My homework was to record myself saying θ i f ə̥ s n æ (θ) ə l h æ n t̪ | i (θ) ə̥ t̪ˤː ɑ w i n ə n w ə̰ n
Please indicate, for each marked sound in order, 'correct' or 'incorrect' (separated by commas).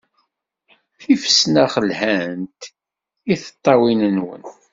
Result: incorrect, correct